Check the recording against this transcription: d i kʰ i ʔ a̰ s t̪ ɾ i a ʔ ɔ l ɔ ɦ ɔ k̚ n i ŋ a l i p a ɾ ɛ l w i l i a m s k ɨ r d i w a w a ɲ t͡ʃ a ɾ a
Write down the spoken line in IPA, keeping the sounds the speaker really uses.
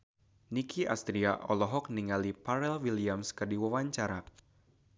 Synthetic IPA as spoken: n i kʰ i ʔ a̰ s t̪ ɾ i a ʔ ɔ l ɔ ɦ ɔ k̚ n i ŋ a l i p a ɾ ɛ l w i l i a m s k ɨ r d i w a w a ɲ t͡ʃ a ɾ a